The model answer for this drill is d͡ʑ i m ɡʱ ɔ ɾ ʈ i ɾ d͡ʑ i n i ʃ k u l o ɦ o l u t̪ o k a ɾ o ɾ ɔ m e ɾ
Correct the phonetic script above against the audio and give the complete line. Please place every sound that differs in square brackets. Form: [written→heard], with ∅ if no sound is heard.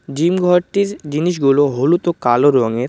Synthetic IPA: d͡ʑ i m ɡʱ ɔ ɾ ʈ i ɾ d͡ʑ i n i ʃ [k→ɡ] u l o ɦ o l u t̪ o k a [ɾ→l] o ɾ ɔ [m→ŋ] e ɾ

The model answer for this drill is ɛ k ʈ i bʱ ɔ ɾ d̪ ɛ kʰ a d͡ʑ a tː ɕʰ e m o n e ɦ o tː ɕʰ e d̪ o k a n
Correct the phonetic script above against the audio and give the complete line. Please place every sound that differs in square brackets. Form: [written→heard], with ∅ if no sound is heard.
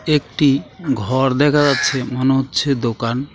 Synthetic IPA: [ɛ→e] k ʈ i [bʱ→ɡʱ] ɔ ɾ d̪ ɛ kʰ a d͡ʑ a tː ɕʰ e m o n e ɦ o tː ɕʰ e d̪ o k a n

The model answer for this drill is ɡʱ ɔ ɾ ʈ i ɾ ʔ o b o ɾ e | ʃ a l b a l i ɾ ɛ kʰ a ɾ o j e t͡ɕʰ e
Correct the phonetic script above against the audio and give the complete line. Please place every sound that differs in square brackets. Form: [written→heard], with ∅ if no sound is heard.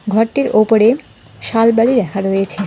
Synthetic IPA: ɡʱ ɔ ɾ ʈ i ɾ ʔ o [b→p] o ɾ e | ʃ a l b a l i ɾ ɛ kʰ a ɾ o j e t͡ɕʰ e

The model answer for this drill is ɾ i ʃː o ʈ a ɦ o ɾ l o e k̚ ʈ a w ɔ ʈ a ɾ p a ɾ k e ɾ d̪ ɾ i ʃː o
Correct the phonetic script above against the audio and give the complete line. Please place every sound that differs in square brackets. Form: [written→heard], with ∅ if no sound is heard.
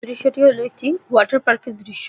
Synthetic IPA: ɾ i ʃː o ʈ [a→i] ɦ o [ɾ→∅] l o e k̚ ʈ [a→i] w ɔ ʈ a ɾ p a ɾ k e ɾ d̪ ɾ i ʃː o

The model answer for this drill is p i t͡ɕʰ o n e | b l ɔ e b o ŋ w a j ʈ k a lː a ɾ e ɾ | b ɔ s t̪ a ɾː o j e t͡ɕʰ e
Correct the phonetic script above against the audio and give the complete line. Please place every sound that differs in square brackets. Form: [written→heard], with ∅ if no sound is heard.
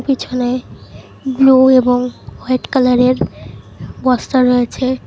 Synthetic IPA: p i t͡ɕʰ o n e | b l [ɔ→u] e b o ŋ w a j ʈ k a [lː→l] a ɾ e ɾ | b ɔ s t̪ a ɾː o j e t͡ɕʰ e

